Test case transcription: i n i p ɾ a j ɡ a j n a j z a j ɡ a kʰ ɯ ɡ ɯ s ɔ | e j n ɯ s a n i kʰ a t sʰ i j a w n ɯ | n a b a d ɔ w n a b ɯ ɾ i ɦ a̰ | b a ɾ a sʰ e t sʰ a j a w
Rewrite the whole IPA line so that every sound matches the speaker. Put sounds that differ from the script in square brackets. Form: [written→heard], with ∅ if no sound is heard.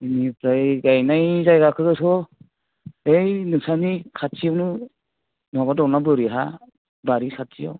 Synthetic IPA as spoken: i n i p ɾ a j ɡ a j n a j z a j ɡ a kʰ ɯ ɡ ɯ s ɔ | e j n ɯ s a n i kʰ a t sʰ i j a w n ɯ | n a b a d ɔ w n a b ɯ ɾ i ɦ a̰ | b a ɾ [a→i] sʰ [e→a] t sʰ [a→i] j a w

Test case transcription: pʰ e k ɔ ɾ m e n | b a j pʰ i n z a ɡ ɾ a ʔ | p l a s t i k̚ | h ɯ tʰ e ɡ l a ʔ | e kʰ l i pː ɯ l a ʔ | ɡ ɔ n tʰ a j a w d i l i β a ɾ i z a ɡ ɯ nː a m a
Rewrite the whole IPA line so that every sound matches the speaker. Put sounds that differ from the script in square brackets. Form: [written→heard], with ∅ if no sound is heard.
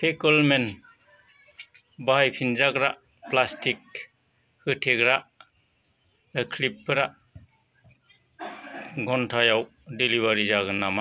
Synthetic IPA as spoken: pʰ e k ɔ [ɾ→l] m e n | b a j pʰ i n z a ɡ ɾ a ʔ | p l a s t i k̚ | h ɯ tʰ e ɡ [l→ɾ] a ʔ | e kʰ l i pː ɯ [l→ɾ] a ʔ | ɡ ɔ n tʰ a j a w d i l i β a ɾ i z a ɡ ɯ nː a m a

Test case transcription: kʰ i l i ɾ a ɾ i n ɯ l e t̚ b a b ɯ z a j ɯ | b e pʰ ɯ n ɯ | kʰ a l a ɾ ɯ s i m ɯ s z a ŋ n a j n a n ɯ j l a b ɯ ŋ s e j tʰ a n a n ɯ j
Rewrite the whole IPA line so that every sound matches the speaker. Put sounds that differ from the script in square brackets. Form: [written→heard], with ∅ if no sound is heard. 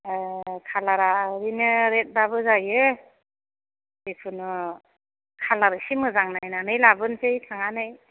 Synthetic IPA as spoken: kʰ [i→a] l [i→a] ɾ a ɾ i n ɯ [l→ɾ] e t̚ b a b ɯ z a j ɯ | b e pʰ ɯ n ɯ | kʰ a l a ɾ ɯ s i m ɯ [s→∅] z a ŋ n a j n a n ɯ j l a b ɯ [ŋ→n] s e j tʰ a [n→ŋ] a n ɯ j

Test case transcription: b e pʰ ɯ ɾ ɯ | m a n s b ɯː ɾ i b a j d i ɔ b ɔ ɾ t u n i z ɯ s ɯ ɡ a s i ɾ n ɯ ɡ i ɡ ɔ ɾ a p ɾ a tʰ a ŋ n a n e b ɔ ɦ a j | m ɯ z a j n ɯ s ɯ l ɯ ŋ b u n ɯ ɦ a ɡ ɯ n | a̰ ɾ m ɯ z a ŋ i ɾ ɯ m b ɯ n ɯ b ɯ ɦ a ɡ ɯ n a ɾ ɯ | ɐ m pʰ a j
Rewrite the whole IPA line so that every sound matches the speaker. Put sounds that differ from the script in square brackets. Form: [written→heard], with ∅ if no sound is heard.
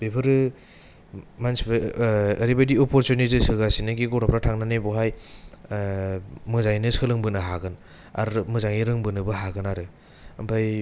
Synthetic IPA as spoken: b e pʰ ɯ ɾ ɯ | m a n s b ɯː ɾ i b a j d i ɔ [b→p] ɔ ɾ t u n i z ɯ s ɯ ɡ a s i [ɾ→∅] n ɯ ɡ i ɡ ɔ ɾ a p ɾ a tʰ a ŋ n a n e b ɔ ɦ a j | m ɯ z a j n ɯ s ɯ l ɯ ŋ b [u→ɯ] n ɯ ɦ a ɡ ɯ n | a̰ ɾ m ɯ z a ŋ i ɾ ɯ [m→ŋ] b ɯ n ɯ b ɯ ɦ a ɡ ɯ n a ɾ ɯ | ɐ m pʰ a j

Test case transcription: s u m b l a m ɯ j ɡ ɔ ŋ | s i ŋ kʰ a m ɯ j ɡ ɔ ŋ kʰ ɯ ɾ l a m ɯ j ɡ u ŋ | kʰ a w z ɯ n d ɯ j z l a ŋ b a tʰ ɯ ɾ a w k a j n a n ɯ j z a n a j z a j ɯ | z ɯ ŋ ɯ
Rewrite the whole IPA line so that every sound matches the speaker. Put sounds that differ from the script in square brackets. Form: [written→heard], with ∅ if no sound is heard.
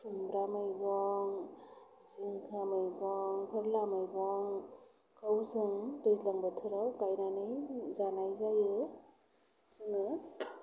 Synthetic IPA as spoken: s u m b [l→ɾ] a m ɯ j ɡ ɔ ŋ | [s→z] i ŋ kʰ a m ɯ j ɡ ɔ ŋ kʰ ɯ ɾ l a m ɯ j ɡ [u→ɔ] ŋ | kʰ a w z ɯ [n→ŋ] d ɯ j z l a ŋ b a tʰ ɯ ɾ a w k a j n a n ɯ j z a n a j z a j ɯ | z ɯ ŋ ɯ

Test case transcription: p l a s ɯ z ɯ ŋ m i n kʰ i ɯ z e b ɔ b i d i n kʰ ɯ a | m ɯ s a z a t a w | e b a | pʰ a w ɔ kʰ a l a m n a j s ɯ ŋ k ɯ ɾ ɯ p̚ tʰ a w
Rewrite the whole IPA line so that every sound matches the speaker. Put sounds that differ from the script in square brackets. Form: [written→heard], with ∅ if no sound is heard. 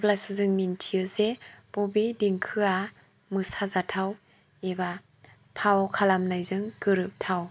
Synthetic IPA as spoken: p l a s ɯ z ɯ ŋ m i n [kʰ→tʰ] i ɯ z e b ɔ b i d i [n→ŋ] kʰ ɯ a | m ɯ s a z a [t→tʰ] a w | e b a | pʰ a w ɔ kʰ a l a m n a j [s→z] ɯ ŋ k ɯ ɾ ɯ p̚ tʰ a w

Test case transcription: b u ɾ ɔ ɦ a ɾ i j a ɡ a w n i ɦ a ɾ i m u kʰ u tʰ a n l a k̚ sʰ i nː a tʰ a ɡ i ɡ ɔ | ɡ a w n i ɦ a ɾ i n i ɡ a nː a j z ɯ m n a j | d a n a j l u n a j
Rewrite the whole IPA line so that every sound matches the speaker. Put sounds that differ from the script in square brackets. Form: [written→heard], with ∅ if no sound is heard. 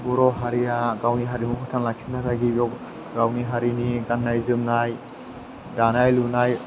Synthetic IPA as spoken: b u ɾ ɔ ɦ a ɾ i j a ɡ a w n i ɦ a ɾ i m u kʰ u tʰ a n l a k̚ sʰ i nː a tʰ a ɡ i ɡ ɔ | ɡ a w n i ɦ a ɾ i n i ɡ a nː a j z ɯ m n a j | d a n a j l u n a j

